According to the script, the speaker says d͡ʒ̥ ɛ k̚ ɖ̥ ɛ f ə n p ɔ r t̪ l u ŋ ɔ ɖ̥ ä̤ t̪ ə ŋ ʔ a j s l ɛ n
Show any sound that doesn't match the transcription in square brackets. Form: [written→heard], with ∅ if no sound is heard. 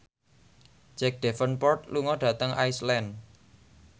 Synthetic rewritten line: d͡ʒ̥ ɛ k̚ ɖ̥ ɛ f ə n p ɔ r t̪ l u ŋ ɔ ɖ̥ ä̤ t̪ ə ŋ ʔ a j s l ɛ n